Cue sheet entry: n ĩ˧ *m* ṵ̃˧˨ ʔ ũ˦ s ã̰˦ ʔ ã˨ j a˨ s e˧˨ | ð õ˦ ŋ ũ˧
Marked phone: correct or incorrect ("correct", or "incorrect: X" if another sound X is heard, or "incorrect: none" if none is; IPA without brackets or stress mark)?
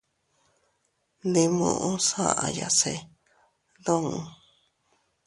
correct